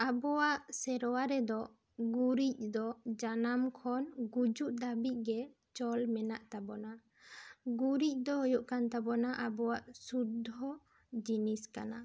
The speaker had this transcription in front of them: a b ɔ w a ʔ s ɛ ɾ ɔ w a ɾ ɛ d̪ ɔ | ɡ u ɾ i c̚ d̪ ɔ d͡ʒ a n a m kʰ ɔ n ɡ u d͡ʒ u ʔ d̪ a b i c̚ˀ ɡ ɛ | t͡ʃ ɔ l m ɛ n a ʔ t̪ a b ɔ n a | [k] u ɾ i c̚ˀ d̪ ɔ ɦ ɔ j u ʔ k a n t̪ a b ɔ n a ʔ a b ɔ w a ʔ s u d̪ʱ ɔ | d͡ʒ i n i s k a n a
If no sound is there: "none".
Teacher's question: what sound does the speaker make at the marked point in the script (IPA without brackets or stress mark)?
ɡ